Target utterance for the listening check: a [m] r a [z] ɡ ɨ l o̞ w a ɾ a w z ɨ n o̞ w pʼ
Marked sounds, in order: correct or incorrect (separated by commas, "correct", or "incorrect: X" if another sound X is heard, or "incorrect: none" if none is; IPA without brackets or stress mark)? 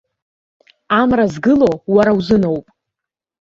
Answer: correct, correct